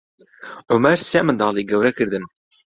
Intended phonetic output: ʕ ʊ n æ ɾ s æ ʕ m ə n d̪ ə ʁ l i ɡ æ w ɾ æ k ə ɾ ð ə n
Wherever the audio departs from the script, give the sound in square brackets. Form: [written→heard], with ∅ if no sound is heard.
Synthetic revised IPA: ʕ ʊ [n→m] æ ɾ s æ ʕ m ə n d̪ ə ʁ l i ɡ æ w ɾ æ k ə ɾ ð ə n